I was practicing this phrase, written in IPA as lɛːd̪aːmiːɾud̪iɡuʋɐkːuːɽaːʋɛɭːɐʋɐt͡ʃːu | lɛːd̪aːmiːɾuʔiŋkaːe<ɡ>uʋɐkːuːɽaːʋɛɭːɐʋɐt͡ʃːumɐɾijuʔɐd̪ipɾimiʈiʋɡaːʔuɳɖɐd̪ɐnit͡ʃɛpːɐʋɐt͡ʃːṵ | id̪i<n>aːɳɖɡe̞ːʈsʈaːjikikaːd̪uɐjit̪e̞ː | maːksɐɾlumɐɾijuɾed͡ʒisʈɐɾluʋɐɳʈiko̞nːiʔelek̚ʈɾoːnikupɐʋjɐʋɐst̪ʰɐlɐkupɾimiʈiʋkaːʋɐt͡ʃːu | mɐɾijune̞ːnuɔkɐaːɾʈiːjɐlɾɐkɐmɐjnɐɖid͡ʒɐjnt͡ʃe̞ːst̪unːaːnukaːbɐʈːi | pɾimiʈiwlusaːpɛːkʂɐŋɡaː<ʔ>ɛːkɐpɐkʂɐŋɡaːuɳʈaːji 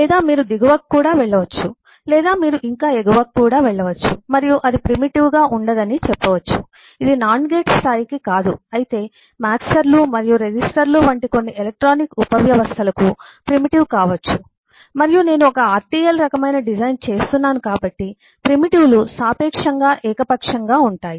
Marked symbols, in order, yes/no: yes, yes, yes

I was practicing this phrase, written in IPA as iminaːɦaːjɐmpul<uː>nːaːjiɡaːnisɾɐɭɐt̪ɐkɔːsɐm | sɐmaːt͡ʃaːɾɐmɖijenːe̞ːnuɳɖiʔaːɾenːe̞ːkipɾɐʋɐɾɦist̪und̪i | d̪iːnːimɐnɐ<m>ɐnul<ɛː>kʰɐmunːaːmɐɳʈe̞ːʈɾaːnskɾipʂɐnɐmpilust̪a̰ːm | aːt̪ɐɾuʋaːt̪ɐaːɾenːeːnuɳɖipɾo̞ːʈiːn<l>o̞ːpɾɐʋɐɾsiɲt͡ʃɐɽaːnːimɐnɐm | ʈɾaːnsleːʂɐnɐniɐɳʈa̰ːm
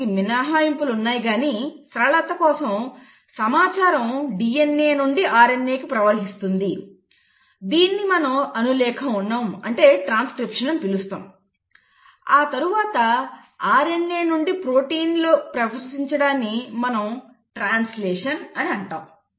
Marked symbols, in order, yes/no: no, yes, yes, yes

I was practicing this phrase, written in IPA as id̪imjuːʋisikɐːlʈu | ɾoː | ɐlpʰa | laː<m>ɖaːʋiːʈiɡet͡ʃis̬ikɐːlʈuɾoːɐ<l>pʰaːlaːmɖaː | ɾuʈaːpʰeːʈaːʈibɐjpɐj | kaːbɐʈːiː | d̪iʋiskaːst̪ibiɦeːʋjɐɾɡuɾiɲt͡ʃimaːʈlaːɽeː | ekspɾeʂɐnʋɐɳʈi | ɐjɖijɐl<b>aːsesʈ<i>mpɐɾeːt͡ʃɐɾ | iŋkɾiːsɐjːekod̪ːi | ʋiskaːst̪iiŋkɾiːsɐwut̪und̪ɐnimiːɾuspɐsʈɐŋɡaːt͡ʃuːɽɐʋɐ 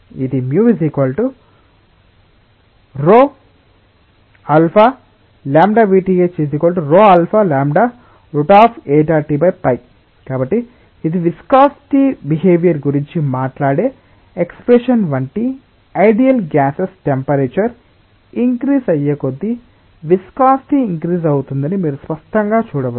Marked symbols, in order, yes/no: yes, yes, no, no

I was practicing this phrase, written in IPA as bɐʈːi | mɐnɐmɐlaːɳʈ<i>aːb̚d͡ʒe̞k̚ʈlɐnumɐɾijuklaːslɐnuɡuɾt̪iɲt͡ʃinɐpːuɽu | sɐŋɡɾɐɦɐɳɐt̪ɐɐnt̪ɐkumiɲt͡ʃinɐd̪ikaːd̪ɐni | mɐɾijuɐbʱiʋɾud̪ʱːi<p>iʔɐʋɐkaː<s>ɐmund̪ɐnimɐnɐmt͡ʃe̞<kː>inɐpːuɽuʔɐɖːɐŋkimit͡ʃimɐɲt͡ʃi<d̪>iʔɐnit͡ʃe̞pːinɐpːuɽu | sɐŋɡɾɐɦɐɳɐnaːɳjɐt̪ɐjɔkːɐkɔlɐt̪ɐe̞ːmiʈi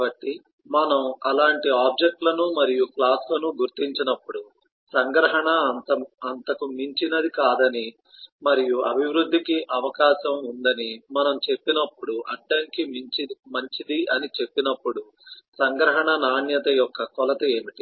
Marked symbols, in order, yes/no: yes, no, no, no, yes

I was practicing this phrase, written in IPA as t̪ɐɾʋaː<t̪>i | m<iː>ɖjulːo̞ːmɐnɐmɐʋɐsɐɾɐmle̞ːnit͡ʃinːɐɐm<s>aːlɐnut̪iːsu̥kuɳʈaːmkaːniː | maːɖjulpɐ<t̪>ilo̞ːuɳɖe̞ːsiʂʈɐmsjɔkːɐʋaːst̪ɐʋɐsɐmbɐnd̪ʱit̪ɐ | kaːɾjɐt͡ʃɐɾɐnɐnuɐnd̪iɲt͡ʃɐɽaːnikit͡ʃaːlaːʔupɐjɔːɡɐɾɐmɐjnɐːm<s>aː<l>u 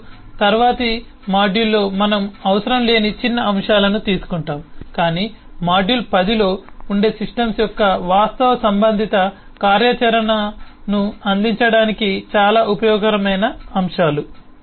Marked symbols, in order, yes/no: yes, no, no, no, no, yes

